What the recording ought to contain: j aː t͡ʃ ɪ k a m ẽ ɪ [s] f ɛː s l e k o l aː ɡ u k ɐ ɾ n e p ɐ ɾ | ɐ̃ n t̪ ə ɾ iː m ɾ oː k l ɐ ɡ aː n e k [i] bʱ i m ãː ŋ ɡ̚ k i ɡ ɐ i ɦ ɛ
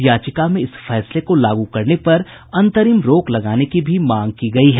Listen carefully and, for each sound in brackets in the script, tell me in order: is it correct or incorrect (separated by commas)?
correct, correct